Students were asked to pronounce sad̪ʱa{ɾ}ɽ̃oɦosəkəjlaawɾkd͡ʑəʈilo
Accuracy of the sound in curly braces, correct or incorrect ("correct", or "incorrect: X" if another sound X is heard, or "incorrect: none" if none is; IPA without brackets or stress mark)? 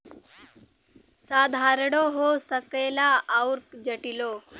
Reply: correct